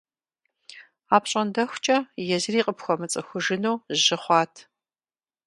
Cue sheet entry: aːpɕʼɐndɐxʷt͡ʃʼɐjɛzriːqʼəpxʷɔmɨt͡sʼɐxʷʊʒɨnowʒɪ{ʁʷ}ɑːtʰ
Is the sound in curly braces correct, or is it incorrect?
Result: incorrect